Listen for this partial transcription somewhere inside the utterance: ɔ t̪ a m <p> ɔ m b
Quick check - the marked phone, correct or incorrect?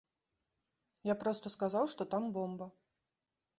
incorrect: b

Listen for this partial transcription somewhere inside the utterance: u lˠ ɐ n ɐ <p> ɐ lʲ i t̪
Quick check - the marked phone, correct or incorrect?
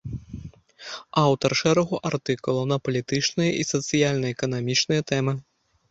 correct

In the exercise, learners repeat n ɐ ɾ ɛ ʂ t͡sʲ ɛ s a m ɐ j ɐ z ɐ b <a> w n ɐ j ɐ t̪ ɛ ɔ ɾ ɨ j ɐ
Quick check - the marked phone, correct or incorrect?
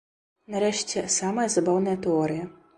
correct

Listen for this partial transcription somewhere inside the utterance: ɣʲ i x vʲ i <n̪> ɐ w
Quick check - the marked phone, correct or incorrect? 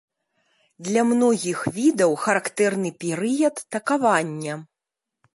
incorrect: d̪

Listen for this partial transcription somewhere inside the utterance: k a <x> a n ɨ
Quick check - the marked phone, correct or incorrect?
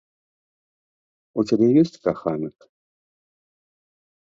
correct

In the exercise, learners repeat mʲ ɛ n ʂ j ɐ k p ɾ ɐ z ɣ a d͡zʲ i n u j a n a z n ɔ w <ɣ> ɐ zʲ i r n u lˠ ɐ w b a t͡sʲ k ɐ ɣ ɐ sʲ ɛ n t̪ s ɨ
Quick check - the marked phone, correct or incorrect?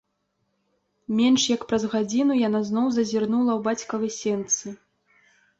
incorrect: z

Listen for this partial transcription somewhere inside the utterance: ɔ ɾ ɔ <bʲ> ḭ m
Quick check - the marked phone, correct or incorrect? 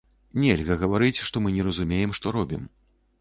correct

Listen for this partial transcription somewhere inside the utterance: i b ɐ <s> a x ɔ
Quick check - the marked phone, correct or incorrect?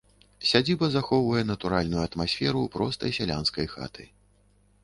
incorrect: z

